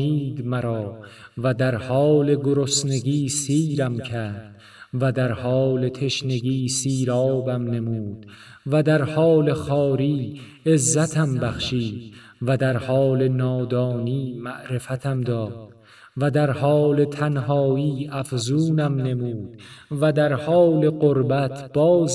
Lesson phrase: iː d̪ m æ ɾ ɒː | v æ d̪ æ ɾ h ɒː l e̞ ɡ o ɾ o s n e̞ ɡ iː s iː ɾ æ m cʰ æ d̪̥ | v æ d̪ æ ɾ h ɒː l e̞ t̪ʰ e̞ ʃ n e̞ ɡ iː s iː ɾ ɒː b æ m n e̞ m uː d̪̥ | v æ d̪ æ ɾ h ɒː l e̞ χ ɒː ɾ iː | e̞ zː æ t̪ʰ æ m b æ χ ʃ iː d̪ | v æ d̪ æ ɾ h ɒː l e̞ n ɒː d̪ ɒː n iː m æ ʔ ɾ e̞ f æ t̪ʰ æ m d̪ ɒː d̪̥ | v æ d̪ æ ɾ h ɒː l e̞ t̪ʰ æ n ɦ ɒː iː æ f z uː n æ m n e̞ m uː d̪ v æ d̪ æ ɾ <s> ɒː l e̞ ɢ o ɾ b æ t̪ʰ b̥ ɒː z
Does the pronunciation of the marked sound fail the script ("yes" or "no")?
yes